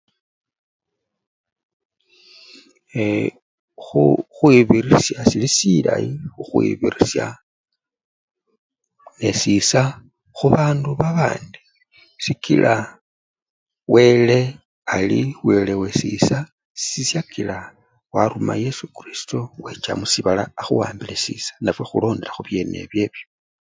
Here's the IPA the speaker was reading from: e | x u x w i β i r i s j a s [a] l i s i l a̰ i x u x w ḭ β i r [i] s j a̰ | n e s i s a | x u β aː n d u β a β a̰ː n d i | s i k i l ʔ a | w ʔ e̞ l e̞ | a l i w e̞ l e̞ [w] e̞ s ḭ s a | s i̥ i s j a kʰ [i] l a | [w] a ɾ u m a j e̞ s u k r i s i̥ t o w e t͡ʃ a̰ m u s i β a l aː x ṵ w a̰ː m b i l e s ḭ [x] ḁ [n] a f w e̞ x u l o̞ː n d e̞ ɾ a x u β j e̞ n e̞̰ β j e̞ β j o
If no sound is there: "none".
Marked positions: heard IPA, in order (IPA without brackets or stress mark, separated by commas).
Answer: i, i, w, i, w, s, n